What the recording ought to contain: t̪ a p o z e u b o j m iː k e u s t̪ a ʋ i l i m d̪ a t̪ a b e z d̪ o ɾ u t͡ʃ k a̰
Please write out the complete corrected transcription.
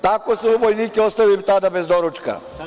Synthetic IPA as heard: t̪ a k o s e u b o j n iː k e o s t̪ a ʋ i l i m t̪ a d̪ a b e z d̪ o ɾ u t͡ʃ k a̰